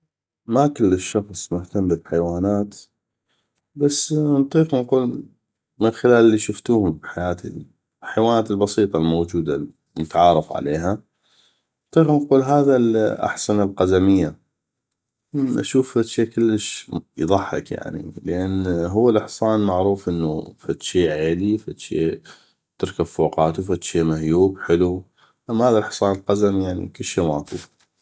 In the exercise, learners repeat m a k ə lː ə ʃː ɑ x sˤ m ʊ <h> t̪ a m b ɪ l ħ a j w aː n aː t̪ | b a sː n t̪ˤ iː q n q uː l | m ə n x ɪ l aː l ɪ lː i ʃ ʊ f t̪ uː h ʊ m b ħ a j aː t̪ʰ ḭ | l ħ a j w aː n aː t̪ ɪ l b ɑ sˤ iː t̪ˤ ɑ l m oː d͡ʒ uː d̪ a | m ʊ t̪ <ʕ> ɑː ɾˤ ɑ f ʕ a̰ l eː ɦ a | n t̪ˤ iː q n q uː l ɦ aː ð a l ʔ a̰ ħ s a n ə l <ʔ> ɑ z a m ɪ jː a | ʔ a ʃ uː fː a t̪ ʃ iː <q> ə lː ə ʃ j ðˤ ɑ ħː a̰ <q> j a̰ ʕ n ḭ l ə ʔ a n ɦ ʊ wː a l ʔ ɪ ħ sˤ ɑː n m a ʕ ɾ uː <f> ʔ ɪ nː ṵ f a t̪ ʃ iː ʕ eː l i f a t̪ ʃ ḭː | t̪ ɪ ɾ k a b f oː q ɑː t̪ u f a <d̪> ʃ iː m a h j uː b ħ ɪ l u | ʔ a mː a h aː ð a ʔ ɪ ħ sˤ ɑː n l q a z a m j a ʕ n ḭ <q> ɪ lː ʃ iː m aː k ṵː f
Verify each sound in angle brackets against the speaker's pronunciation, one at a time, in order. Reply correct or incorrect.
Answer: correct, correct, incorrect: q, incorrect: k, incorrect: k, correct, incorrect: t̪, incorrect: k

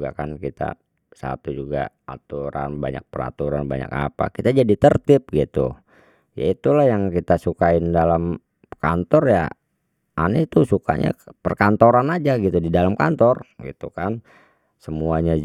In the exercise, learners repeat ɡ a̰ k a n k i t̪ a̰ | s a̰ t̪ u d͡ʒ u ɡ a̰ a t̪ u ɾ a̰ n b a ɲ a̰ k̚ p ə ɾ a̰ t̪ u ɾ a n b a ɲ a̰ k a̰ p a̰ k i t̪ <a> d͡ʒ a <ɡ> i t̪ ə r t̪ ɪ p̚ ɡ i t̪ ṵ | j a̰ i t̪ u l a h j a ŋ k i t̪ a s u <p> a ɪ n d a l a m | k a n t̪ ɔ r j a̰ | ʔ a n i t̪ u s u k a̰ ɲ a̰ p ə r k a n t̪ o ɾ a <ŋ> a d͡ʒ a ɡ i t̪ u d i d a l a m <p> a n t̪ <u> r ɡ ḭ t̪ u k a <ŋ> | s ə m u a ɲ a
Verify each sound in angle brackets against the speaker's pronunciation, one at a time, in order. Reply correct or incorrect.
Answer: correct, incorrect: d, incorrect: k, incorrect: n, incorrect: k, incorrect: ɔ, incorrect: n

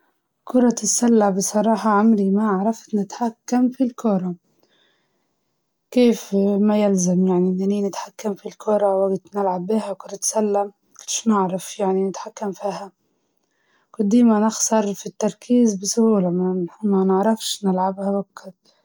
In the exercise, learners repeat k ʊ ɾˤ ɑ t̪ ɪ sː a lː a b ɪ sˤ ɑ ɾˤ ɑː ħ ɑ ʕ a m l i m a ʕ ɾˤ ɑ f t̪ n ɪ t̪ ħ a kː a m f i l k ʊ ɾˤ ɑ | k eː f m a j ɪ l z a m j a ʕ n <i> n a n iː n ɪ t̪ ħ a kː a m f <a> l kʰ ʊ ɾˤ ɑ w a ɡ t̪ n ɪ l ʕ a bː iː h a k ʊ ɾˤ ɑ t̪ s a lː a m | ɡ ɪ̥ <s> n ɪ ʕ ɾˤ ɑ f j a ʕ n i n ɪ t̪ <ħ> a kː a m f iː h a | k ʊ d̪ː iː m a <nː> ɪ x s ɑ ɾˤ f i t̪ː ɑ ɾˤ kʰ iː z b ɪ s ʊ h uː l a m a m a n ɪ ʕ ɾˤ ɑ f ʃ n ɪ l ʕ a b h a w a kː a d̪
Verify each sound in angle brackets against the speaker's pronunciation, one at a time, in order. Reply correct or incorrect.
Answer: correct, incorrect: i, incorrect: ʃ, correct, incorrect: n

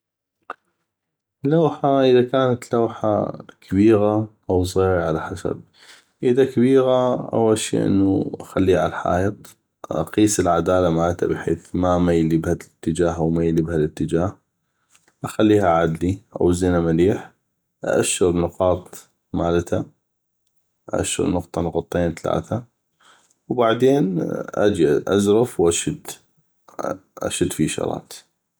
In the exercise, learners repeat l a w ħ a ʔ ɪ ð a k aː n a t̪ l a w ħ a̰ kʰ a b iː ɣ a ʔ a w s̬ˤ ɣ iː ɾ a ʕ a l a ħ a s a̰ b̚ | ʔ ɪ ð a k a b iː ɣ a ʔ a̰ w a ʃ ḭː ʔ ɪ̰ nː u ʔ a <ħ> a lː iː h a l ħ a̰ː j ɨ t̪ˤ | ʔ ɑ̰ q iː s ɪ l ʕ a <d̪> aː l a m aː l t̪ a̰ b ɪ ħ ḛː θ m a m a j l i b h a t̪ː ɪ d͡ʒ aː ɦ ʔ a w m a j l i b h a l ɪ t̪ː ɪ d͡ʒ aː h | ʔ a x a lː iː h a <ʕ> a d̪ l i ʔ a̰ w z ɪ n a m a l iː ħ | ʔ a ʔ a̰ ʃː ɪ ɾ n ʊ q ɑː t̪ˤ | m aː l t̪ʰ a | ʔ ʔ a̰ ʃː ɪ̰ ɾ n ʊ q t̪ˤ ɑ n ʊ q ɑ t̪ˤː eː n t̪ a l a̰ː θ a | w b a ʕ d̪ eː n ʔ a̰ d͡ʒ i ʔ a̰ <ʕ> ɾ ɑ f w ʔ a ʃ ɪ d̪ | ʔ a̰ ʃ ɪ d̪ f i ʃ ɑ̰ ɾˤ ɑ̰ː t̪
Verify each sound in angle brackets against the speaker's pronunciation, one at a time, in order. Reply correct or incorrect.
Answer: incorrect: x, correct, correct, incorrect: z

